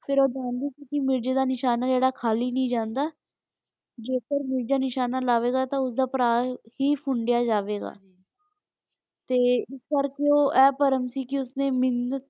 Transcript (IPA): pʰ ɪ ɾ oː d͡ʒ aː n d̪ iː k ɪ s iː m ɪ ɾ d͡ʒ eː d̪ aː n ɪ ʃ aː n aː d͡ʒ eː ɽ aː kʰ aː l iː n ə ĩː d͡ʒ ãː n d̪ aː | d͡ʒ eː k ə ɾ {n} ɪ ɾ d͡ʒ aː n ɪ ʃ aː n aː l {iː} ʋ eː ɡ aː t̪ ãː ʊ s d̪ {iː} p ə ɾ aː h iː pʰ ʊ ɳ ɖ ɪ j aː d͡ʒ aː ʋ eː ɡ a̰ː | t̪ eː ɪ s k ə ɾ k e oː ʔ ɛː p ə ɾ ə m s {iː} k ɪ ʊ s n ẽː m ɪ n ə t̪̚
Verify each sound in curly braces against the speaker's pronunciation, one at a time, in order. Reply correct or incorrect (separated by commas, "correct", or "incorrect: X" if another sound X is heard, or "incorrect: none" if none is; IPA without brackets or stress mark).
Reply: incorrect: m, incorrect: aː, incorrect: aː, correct